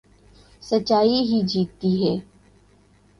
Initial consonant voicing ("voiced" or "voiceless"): voiceless